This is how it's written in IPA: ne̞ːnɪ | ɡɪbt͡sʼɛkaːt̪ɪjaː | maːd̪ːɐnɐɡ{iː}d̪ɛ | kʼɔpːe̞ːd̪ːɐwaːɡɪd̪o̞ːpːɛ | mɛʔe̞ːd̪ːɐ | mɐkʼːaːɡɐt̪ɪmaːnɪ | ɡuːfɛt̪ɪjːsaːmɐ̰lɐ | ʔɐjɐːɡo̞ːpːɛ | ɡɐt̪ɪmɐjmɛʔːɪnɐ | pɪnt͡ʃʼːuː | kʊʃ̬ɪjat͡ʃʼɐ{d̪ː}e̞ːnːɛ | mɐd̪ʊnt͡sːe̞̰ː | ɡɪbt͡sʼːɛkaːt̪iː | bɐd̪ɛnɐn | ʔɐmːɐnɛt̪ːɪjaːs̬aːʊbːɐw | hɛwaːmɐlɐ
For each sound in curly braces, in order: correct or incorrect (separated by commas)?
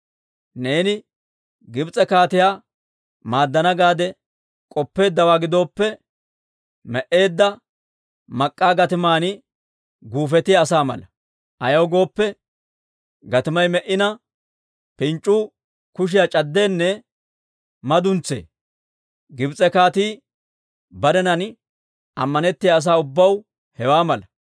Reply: incorrect, correct